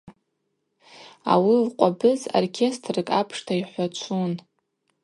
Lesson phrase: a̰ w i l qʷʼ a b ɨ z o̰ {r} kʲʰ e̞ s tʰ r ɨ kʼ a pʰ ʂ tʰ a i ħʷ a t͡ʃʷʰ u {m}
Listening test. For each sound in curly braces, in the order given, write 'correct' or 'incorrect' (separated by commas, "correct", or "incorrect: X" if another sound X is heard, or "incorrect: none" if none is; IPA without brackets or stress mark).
correct, incorrect: n